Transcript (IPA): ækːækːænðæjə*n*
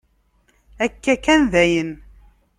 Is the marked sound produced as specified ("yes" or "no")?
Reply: yes